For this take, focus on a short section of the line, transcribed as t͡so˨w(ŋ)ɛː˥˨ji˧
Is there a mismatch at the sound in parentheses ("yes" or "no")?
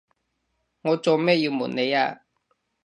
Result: yes